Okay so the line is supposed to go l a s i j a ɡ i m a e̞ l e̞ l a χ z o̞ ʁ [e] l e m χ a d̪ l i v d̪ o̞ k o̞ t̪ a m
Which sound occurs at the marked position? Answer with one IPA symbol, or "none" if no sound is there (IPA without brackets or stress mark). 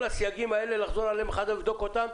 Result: a